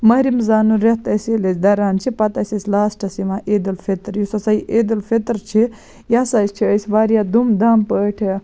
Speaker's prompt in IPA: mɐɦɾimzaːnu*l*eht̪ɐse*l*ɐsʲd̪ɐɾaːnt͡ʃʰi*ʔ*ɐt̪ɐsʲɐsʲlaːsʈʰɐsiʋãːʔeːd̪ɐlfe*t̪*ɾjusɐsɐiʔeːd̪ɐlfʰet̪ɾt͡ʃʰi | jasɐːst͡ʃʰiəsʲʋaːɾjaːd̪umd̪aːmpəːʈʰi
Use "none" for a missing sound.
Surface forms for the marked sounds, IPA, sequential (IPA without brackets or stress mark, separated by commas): ɾ, l, p, t̪